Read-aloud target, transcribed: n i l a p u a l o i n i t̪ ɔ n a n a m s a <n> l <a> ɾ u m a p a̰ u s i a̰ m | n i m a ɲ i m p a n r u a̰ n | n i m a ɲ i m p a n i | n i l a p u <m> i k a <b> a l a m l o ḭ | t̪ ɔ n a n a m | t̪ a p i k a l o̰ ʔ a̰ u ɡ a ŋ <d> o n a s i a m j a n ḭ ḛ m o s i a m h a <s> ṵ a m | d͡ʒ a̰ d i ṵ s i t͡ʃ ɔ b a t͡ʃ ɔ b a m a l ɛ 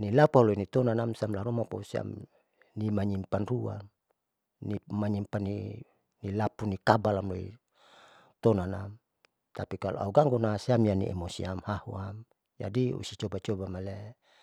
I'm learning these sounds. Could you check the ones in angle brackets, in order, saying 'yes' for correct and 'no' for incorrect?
no, yes, no, yes, no, no

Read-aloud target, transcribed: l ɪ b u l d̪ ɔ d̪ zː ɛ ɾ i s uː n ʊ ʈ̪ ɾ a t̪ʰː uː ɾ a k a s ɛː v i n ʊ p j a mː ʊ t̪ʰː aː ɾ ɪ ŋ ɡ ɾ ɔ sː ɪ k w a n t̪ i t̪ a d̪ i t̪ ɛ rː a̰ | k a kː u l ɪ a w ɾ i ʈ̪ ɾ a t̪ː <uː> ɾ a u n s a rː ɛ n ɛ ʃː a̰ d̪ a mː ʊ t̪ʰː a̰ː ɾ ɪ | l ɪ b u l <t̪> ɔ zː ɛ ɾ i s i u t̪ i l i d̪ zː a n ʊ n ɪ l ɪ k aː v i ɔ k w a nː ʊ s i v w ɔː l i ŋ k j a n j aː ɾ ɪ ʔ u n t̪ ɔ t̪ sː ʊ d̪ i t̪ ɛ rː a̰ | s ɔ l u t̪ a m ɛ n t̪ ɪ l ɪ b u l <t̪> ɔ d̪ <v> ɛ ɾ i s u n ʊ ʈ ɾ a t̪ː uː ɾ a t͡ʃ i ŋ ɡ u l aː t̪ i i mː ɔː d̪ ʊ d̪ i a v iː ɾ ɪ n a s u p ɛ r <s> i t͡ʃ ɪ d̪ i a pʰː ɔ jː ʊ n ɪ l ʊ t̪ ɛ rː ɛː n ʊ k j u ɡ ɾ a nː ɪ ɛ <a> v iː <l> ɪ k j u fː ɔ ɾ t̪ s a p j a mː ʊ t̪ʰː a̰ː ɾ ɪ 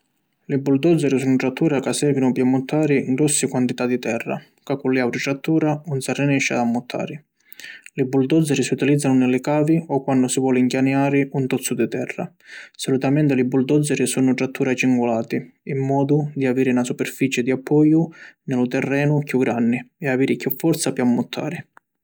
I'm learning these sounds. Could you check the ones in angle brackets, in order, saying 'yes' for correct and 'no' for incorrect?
yes, no, no, no, no, yes, no

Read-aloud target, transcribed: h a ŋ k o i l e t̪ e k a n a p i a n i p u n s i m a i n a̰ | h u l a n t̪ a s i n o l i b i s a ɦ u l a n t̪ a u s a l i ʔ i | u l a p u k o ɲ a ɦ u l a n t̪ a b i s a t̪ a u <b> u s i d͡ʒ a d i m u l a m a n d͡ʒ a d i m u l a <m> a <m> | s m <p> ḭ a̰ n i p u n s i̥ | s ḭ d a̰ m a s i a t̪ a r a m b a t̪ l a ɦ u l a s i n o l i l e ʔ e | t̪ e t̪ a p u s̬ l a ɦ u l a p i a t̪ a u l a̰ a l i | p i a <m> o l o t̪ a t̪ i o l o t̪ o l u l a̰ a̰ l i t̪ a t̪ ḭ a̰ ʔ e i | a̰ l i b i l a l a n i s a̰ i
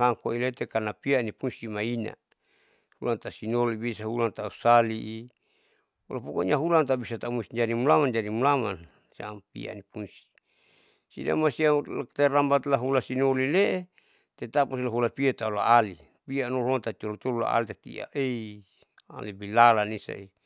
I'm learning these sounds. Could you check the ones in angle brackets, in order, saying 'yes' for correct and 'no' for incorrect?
no, yes, no, yes, no

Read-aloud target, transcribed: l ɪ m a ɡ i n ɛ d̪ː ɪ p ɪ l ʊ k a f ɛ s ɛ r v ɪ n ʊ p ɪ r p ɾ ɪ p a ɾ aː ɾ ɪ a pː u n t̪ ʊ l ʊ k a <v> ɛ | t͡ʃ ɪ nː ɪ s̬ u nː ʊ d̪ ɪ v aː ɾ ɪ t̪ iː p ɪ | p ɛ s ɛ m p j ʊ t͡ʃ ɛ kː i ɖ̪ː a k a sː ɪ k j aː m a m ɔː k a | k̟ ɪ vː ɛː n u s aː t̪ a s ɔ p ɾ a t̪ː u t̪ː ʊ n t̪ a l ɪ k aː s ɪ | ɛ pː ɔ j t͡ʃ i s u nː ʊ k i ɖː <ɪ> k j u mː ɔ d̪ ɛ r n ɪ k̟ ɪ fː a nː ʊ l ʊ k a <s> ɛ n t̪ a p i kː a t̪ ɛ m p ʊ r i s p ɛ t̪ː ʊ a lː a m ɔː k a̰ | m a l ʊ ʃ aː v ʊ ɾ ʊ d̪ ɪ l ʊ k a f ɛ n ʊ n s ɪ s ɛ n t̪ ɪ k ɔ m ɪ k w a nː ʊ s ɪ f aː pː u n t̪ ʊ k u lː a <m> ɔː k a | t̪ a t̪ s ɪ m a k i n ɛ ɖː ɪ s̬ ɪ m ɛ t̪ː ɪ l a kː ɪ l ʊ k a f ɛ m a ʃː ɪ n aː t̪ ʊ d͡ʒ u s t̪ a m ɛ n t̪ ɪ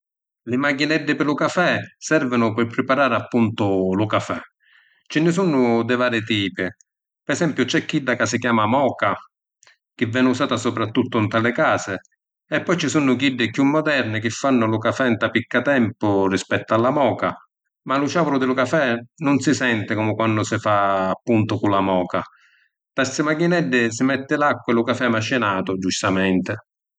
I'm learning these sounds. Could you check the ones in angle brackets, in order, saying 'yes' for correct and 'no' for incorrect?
no, yes, no, yes

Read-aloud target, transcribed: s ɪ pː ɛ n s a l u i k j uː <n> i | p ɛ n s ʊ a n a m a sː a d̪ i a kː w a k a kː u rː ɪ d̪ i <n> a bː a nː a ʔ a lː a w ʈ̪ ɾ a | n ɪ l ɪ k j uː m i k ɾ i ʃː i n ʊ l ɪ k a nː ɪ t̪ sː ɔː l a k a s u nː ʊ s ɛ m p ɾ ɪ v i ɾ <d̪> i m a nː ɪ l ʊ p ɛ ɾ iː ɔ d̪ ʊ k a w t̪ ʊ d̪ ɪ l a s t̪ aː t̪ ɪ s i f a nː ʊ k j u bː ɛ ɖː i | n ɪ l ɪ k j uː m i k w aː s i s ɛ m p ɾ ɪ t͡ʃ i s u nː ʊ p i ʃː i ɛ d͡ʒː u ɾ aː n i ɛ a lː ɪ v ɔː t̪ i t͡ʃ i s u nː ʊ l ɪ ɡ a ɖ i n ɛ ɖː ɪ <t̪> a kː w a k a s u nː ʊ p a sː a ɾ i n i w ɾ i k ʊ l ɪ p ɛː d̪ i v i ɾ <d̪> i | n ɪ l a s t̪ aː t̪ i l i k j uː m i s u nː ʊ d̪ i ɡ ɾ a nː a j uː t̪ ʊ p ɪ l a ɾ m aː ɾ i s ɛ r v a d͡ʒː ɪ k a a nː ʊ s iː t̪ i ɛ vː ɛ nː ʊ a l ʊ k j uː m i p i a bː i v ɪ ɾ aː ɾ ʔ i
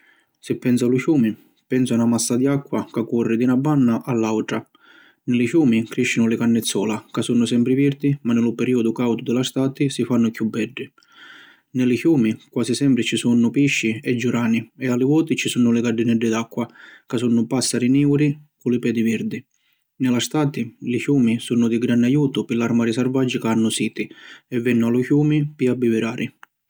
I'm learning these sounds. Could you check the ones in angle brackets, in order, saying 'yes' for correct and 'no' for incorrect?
no, yes, yes, no, yes

